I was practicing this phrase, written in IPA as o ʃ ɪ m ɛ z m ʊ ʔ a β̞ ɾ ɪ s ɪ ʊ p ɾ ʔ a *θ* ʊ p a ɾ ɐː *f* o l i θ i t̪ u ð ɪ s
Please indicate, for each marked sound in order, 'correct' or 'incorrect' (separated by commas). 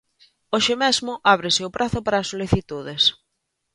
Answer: correct, incorrect